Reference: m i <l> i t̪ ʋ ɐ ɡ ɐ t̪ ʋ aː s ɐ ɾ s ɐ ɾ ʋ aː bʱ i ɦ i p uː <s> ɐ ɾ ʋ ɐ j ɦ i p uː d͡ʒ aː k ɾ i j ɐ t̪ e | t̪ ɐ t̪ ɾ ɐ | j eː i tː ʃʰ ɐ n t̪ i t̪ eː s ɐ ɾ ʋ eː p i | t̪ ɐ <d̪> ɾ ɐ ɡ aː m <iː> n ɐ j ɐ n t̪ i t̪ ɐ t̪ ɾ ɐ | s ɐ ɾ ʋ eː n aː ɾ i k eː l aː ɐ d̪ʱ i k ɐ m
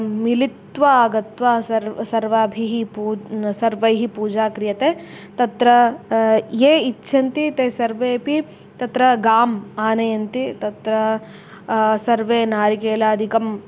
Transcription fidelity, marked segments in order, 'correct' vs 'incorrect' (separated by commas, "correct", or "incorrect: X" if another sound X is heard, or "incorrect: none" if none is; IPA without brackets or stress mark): correct, correct, incorrect: t̪, incorrect: aː